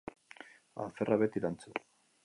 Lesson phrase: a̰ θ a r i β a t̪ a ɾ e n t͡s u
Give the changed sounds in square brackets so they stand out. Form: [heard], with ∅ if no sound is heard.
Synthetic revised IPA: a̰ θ [e] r [a] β [e] t̪ [i] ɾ [a] n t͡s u